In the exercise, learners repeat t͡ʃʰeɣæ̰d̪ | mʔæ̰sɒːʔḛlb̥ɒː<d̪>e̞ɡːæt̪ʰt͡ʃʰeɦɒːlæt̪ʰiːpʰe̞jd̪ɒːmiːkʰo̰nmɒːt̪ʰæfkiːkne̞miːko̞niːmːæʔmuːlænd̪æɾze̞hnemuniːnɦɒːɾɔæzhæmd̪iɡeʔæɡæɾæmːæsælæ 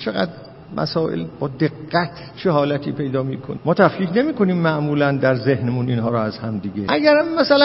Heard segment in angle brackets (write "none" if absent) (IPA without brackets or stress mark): d̪